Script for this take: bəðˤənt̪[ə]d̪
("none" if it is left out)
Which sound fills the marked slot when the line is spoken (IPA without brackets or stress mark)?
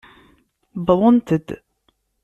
ə